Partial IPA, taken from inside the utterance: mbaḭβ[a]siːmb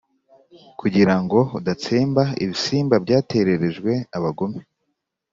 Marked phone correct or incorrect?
incorrect